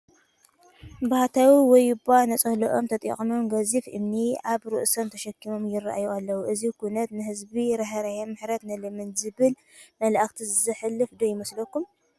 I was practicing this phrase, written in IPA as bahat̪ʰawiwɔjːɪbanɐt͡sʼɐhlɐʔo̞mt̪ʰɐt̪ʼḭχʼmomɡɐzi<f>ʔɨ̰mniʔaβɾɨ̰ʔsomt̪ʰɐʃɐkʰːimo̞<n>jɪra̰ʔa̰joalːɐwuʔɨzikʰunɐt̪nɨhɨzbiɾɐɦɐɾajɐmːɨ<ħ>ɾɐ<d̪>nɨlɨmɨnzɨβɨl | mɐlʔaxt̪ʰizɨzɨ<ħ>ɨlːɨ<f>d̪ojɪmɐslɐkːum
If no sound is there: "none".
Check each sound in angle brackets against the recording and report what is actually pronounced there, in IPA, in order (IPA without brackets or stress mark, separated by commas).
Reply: f, m, ħ, t̪, ħ, f